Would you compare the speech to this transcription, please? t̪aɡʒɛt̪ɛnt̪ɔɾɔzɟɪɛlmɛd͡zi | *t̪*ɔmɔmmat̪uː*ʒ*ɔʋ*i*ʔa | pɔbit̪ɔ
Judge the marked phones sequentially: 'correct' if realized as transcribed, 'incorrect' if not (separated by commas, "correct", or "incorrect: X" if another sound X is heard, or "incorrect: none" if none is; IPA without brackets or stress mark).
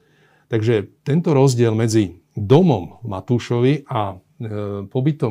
incorrect: d̪, incorrect: ʃ, correct